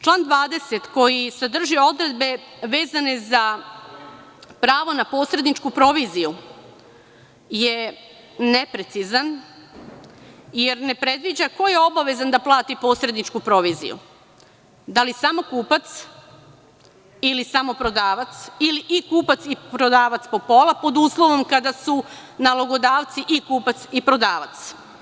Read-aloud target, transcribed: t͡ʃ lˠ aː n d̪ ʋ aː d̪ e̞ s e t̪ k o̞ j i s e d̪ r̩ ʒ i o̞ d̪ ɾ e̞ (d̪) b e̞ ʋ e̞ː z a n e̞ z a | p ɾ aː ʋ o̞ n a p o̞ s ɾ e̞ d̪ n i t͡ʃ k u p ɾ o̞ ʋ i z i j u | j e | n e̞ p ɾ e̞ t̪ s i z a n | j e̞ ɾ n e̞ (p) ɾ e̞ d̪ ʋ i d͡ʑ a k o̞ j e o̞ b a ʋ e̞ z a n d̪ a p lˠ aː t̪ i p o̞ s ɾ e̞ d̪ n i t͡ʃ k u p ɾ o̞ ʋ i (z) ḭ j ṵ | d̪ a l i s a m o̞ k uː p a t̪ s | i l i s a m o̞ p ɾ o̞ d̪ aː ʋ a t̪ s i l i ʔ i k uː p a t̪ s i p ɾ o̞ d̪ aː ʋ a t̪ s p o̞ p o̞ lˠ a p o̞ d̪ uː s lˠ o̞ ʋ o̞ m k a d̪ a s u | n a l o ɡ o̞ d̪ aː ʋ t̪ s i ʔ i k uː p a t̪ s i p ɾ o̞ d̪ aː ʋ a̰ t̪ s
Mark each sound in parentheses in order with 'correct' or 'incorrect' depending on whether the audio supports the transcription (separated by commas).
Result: correct, correct, correct